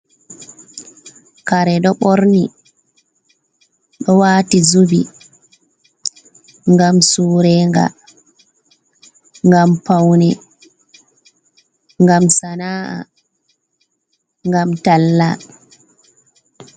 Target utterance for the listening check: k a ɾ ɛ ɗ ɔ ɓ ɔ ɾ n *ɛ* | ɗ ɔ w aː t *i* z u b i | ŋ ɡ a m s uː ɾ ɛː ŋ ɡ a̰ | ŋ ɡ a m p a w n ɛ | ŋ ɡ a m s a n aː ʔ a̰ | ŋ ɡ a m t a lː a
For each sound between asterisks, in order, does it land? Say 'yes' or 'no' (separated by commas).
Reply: no, yes